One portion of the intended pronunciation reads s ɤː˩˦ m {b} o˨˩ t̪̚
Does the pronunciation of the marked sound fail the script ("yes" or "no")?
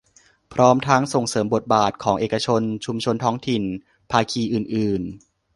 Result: no